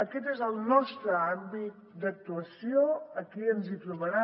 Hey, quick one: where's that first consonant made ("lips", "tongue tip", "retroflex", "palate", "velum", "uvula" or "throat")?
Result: velum